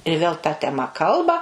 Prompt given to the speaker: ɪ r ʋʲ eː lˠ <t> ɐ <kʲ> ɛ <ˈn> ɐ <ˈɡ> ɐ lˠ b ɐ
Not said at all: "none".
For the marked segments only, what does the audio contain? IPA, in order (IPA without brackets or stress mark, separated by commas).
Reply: t, tʲ, m, k